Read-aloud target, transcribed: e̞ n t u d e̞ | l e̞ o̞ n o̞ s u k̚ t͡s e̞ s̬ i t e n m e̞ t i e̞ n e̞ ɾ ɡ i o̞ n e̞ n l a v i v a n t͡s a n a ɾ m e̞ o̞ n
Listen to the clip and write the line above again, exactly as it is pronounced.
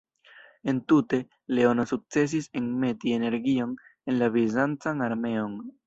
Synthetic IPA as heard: e̞ n t u t e̞ | l e̞ o̞ n o̞ s u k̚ t͡s e̞ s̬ i s e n m e̞ t i e̞ n e̞ ɾ ɡ i o̞ n e̞ n l a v i z a n t͡s a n a ɾ m e̞ o̞ n

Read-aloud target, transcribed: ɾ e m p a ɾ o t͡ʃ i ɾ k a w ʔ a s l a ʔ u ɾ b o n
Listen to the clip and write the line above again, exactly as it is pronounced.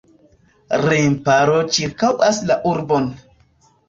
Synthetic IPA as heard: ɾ e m p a ɾ o t͡ʃ i ɾ k a w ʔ a s l a ʔ u ɾ b o n

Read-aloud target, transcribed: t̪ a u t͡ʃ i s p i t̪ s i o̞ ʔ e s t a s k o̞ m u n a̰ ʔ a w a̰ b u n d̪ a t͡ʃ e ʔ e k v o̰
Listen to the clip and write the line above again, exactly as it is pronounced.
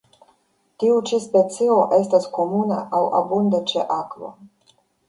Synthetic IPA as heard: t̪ i u t͡ʃ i s p e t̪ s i o̞ ʔ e s t a s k o̞ m u n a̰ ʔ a w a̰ b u n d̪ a t͡ʃ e ʔ a k v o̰

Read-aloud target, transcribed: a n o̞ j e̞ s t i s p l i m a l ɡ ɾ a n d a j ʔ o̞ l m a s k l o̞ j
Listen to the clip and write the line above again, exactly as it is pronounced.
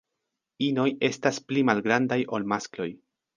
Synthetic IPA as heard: i n o̞ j e̞ s t a s p l i m a l ɡ ɾ a n d a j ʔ o̞ l m a s k l o̞ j

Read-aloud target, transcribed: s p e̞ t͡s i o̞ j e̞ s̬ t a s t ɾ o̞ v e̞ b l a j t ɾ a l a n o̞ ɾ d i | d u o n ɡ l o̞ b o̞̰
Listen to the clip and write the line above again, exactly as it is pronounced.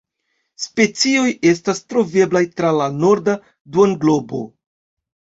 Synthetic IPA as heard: s p e̞ t͡s i o̞ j e̞ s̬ t a s t ɾ o̞ v e̞ b l a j t ɾ a l a n o̞ ɾ d a | d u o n ɡ l o̞ b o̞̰

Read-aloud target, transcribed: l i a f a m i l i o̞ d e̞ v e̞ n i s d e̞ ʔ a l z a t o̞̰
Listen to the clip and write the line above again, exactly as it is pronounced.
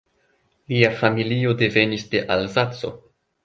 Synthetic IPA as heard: l i a f a m i l i o̞ d e̞ v e̞ n i s d e̞ ʔ a l z a t͡s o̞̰

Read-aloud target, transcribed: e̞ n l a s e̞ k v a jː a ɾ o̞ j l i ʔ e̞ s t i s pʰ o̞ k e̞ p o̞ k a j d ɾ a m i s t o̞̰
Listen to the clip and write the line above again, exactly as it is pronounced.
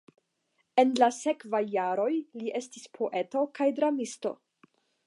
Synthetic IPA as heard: e̞ n l a s e̞ k v a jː a ɾ o̞ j l i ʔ e̞ s t i s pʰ o̞ ʔ e̞ t o̞ k a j d ɾ a m i s t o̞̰

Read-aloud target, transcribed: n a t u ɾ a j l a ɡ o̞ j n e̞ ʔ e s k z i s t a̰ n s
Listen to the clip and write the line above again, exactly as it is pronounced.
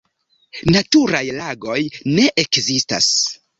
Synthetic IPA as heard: n a t u ɾ a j l a ɡ o̞ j n e̞ ʔ e k z i s t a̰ s

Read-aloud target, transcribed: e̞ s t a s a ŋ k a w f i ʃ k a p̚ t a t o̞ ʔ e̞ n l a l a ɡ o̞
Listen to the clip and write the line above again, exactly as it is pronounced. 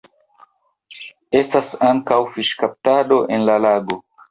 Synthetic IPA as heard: e̞ s t a s a ŋ k a w f i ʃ k a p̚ t a d o̞ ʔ e̞ n l a l a ɡ o̞

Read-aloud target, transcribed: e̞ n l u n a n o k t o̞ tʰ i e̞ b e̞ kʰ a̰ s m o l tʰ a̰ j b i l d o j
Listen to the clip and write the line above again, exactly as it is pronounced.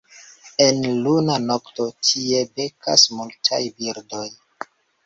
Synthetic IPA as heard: e̞ n l u n a n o k t o̞ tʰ i e̞ b e̞ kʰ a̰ s m u l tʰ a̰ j b i ɾ d o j

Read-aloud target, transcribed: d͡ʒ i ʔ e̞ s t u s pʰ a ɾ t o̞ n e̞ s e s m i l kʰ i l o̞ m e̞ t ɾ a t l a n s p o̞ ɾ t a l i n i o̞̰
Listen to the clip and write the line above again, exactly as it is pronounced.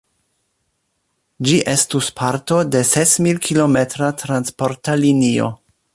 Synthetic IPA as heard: d͡ʒ i ʔ e̞ s t u s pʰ a ɾ t o̞ d e̞ s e s m i l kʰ i l o̞ m e̞ t ɾ a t ɾ a n s p o̞ ɾ t a l i n i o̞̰

